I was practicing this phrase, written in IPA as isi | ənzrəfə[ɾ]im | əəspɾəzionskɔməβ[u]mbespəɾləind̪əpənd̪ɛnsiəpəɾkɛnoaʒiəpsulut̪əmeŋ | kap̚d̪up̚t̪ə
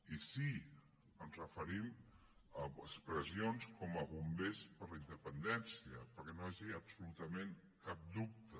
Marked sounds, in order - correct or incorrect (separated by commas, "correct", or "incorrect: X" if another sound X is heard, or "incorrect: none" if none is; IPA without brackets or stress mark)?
correct, correct